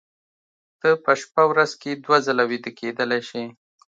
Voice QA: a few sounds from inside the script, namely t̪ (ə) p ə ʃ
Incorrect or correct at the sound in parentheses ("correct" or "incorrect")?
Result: correct